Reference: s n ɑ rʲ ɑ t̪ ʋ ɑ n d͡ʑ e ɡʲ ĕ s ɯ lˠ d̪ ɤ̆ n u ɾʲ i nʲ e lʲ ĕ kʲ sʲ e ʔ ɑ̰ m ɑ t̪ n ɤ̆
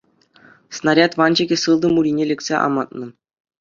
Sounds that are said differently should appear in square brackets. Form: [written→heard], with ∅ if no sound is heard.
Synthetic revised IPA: s n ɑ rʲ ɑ t̪ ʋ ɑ n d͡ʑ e ɡʲ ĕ s ɯ lˠ d̪ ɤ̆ [n→m] u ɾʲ i nʲ e lʲ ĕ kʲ sʲ e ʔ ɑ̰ m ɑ t̪ n ɤ̆